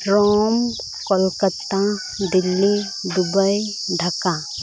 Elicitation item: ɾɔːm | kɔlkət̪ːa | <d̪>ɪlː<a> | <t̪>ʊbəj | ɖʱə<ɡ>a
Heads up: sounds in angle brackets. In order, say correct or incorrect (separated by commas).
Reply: correct, incorrect, incorrect, incorrect